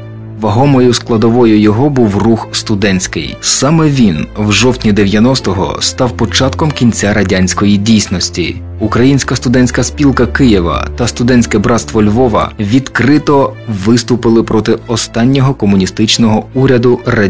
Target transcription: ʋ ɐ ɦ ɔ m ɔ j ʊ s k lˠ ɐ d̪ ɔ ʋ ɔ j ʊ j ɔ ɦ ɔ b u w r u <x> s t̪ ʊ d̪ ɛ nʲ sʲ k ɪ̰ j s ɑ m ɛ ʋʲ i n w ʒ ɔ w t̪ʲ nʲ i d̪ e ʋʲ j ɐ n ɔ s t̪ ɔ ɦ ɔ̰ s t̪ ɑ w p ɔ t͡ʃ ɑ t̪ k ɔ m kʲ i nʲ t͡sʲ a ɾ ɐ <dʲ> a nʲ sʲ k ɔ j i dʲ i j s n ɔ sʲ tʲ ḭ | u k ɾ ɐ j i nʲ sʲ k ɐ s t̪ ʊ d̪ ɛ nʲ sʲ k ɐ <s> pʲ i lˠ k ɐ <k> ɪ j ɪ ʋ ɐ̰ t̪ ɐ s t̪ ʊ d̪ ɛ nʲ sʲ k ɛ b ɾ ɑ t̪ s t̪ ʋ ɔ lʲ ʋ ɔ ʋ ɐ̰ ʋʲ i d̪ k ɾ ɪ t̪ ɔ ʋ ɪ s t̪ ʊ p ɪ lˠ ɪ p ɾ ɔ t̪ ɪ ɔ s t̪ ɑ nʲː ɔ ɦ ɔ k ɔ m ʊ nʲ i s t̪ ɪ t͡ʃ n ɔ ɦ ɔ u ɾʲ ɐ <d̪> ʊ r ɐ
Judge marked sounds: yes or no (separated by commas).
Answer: yes, yes, yes, yes, yes